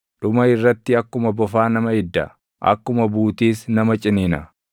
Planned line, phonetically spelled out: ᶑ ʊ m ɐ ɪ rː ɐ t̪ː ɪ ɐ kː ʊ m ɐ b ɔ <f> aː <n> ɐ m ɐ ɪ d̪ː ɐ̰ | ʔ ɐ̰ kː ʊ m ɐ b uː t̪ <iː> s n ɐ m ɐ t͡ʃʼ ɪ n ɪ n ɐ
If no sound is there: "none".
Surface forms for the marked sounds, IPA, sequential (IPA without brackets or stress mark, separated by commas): f, n, iː